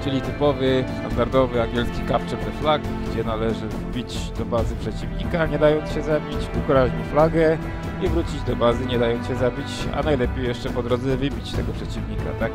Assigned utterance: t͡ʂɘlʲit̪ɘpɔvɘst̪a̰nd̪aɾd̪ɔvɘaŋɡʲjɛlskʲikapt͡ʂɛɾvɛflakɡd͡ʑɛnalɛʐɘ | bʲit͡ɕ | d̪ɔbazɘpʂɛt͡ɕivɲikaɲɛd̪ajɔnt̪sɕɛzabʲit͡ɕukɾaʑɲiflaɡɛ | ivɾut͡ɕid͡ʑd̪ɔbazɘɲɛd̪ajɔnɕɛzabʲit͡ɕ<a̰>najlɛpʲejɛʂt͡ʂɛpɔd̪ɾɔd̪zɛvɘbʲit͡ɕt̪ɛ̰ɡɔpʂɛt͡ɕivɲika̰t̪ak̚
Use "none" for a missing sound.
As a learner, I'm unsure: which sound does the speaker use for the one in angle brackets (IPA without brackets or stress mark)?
a̰